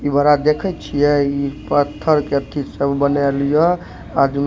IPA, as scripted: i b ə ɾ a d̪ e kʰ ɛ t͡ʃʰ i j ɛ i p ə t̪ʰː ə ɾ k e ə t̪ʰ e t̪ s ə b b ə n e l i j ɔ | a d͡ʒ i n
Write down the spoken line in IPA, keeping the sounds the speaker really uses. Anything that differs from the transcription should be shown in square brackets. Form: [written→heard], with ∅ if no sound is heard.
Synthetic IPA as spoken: i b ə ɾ a d̪ e kʰ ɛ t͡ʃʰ i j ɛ i p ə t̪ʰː ə ɾ k e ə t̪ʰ [e→i] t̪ s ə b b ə n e l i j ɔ | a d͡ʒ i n